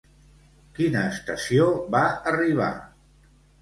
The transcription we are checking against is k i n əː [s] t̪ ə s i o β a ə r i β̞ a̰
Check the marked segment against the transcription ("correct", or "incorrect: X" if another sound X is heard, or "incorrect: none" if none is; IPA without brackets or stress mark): correct